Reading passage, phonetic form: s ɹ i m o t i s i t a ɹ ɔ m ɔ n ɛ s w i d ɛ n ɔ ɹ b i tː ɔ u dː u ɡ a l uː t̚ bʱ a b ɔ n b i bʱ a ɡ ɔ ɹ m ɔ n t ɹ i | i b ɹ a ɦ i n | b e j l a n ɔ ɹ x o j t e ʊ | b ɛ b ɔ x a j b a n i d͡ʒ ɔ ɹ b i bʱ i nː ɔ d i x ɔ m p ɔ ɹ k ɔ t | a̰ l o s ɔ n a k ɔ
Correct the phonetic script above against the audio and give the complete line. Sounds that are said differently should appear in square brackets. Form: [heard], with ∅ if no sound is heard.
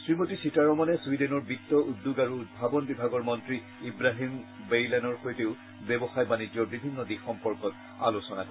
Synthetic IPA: s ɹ i m o t i s i t a ɹ ɔ m ɔ n ɛ s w i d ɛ n ɔ ɹ b i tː ɔ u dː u ɡ a [ɹ] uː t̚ bʱ a b ɔ n b i bʱ a ɡ ɔ ɹ m ɔ n t ɹ i | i b ɹ a ɦ i [m] | b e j l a n ɔ ɹ x o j t e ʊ | b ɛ b ɔ x a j b a n i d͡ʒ ɔ ɹ b i bʱ i nː ɔ d i x ɔ m p ɔ ɹ k ɔ t | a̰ l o s ɔ n a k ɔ

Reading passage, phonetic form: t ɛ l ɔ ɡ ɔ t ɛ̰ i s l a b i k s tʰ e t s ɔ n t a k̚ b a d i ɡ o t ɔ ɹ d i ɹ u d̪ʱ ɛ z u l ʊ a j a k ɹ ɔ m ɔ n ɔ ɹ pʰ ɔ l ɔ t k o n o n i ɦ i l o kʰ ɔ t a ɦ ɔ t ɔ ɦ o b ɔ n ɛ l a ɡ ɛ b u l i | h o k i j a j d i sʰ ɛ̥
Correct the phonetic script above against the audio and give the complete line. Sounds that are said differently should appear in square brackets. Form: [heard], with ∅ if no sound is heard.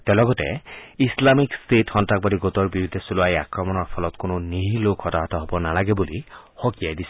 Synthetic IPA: t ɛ l ɔ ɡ ɔ t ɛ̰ i s l a [m] i k s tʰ e t [x] ɔ n t a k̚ b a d i ɡ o t ɔ ɹ [b] i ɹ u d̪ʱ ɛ [s] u l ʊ a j a k ɹ ɔ m ɔ n ɔ ɹ pʰ ɔ l ɔ t k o n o n i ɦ i l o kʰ ɔ t a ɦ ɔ t ɔ ɦ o b ɔ n [a] l a ɡ ɛ b u l i | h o k i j a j d i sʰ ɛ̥

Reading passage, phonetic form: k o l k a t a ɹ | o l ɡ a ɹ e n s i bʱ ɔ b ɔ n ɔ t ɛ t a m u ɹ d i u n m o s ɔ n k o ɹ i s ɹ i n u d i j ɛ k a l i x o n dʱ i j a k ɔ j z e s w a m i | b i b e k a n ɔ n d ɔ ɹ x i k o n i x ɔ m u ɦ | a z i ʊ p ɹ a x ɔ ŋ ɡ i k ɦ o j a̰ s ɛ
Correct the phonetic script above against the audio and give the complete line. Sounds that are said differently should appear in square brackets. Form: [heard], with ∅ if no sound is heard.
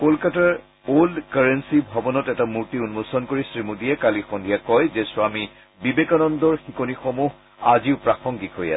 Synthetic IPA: k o l k a t a ɹ | o l [k] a ɹ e n s i bʱ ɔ b ɔ n ɔ t ɛ t a m u ɹ [t] i u n m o s ɔ n k o ɹ i s ɹ i [m] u d i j ɛ k a l i x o n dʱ i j a k ɔ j z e s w a m i | b i b e k a n ɔ n d ɔ ɹ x i k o n i x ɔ m u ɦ | a z i ʊ p ɹ a x ɔ ŋ ɡ i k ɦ o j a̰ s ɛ

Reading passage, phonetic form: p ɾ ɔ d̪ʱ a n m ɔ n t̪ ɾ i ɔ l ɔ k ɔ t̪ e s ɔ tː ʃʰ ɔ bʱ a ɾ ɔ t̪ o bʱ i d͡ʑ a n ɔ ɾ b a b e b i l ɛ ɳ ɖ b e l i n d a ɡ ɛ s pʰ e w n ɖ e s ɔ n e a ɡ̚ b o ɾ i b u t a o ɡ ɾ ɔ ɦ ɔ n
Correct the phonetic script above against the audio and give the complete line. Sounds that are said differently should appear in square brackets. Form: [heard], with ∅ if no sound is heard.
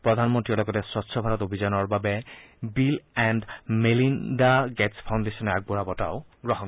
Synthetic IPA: p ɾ ɔ d̪ʱ a n m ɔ n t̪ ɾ i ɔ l ɔ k ɔ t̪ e s ɔ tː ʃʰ ɔ bʱ a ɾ ɔ t̪ o bʱ i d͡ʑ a n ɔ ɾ b a b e b i l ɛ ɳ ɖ [m] e l i n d a ɡ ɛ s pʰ [a] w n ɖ e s ɔ n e a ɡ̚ b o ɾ [a] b [ɔ] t a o ɡ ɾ ɔ ɦ ɔ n

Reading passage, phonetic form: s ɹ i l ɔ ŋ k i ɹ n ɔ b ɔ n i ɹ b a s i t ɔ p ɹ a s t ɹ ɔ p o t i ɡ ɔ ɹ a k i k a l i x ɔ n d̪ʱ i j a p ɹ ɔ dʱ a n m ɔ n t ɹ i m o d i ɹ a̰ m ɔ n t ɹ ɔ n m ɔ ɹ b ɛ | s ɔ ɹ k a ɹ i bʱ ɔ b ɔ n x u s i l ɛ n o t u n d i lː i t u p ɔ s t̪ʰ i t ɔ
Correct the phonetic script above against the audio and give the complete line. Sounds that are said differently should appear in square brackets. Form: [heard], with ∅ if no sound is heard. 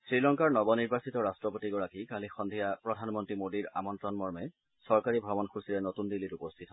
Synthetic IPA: s ɹ i l ɔ ŋ k [a] ɹ n ɔ b ɔ n i ɹ b a s i t ɔ [∅] ɹ a s t ɹ ɔ p o t i ɡ ɔ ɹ a k i k a l i x ɔ n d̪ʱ i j a p ɹ ɔ dʱ a n m ɔ n t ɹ i m o d i ɹ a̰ m ɔ n t ɹ ɔ n m ɔ ɹ [m] ɛ | s ɔ ɹ k a ɹ i bʱ ɔ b ɔ n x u s i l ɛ n o t u n d i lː i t u p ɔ s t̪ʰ i t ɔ

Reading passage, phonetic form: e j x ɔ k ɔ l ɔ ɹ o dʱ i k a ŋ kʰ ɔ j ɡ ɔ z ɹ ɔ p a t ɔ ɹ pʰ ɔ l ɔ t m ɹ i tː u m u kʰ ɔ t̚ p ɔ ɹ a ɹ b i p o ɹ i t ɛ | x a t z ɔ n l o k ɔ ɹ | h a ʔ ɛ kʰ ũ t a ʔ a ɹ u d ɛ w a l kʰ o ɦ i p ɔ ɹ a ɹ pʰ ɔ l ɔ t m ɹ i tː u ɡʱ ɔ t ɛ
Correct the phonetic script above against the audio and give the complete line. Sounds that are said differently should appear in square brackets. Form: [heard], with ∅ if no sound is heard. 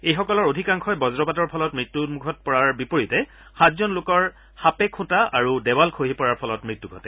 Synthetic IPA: e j x ɔ k ɔ l ɔ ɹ o dʱ i k a ŋ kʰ ɔ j [b] ɔ z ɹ ɔ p a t ɔ ɹ pʰ ɔ l ɔ t m ɹ i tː u m u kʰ ɔ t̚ p ɔ ɹ a ɹ b i p o ɹ i t ɛ | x a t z ɔ n l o k ɔ ɹ | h a [p] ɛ kʰ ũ t a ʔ a ɹ u d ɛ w a l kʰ o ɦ i p ɔ ɹ a ɹ pʰ ɔ l ɔ t m ɹ i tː u ɡʱ ɔ t ɛ

